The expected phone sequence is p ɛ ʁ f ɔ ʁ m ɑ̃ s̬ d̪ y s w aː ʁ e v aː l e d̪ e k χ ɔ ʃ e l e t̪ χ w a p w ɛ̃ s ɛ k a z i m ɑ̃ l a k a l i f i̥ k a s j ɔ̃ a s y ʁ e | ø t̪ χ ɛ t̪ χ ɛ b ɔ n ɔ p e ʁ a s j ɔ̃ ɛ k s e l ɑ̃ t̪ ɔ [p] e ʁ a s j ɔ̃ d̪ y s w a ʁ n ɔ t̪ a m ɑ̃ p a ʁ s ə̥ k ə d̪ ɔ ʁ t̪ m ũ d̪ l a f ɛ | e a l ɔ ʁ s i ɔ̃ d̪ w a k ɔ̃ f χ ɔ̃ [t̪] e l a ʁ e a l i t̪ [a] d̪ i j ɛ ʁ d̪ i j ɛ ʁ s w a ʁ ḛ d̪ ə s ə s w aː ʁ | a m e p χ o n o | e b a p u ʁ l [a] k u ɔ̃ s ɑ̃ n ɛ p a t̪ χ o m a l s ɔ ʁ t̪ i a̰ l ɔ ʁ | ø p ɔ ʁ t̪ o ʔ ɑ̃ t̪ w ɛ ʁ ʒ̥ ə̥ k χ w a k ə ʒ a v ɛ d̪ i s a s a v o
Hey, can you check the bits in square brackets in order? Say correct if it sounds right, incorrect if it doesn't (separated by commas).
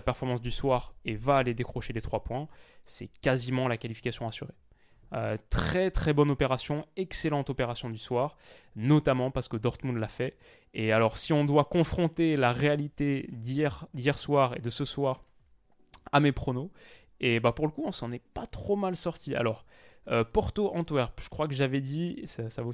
correct, correct, incorrect, incorrect